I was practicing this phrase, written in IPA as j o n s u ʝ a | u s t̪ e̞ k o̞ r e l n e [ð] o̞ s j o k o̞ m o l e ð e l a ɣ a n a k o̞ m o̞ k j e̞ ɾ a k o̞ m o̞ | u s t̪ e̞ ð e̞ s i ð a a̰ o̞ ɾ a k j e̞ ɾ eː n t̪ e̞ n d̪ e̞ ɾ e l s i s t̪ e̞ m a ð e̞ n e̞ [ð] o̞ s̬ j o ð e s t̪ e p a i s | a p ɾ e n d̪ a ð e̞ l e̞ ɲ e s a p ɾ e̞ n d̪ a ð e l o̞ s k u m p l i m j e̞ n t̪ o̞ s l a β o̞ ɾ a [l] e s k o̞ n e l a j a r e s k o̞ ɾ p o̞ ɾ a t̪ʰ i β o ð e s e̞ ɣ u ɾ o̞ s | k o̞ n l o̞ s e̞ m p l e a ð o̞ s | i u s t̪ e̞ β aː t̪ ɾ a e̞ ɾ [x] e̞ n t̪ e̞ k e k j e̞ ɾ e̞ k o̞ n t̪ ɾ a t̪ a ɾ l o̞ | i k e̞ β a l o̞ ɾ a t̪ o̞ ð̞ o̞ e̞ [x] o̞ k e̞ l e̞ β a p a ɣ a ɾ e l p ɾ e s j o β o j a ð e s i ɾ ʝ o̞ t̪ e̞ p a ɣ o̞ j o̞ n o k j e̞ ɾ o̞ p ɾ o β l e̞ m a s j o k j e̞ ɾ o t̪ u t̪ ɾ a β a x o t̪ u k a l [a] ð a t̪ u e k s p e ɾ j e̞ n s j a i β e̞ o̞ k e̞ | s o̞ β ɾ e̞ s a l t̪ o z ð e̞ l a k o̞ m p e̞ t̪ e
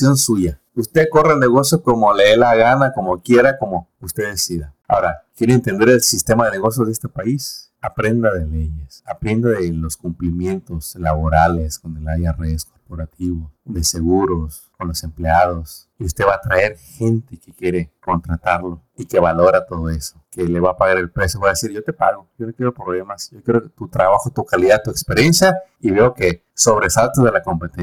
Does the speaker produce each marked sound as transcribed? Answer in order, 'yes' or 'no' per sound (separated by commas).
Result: no, no, yes, yes, no, no